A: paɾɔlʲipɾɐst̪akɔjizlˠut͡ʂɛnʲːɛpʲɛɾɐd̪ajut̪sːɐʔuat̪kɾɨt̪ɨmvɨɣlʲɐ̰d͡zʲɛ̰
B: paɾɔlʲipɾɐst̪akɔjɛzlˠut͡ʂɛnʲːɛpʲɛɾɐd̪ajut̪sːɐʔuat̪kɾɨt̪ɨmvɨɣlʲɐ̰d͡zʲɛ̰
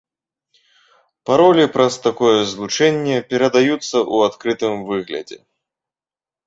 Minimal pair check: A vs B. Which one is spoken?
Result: B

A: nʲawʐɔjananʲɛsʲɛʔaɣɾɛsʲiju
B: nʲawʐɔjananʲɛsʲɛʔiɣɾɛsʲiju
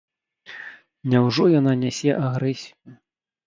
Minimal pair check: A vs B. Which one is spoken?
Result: A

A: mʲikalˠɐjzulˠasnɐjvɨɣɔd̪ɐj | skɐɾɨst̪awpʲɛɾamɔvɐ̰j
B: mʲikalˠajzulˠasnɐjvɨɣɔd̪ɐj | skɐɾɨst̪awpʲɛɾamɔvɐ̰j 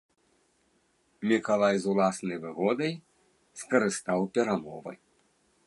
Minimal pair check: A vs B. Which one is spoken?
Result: B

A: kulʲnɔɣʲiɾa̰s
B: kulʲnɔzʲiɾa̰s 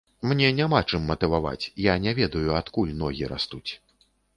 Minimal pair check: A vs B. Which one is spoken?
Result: A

